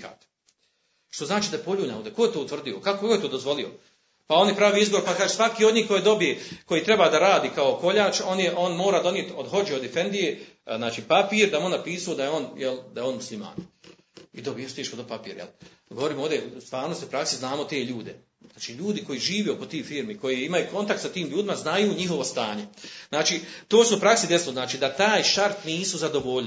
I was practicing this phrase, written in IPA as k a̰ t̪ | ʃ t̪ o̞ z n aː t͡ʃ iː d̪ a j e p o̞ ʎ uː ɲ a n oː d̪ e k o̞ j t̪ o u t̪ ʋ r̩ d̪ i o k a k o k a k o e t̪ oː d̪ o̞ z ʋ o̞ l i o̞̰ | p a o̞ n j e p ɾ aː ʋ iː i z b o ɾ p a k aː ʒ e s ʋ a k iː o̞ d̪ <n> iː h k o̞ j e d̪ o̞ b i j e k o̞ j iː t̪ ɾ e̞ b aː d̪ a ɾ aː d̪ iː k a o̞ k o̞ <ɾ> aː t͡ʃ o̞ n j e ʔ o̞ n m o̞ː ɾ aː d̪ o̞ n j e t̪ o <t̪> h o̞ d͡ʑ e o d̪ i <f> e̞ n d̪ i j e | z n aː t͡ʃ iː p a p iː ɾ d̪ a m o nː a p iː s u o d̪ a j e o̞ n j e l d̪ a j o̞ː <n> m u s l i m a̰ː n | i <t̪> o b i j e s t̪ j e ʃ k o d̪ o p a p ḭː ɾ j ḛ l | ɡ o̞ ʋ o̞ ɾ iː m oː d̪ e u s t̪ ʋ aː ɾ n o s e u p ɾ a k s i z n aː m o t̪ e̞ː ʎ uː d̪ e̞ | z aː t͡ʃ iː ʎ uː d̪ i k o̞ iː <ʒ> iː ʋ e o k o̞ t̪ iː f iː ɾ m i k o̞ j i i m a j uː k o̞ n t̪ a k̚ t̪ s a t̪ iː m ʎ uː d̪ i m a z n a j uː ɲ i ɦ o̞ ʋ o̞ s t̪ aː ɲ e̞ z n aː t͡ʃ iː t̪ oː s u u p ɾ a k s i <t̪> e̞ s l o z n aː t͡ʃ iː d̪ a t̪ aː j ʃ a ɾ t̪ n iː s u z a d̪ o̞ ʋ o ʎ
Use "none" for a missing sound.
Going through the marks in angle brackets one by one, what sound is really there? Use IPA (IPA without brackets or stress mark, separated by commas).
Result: ɲ, ʎ, d̪, f, n, d̪, ʒ, d̪